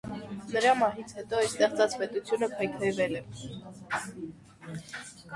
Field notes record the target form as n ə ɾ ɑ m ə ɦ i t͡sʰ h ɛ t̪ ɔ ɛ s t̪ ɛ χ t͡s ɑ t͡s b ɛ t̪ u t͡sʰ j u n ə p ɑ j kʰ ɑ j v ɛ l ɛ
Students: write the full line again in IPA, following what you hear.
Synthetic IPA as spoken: n ə ɾ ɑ m ɑ ɦ i t͡sʰ h ɛ t̪ ɔ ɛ s t̪ ɛ χ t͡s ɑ t͡s p ɛ t̪ u t͡sʰ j u n ə pʰ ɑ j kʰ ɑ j v ɛ l ɛ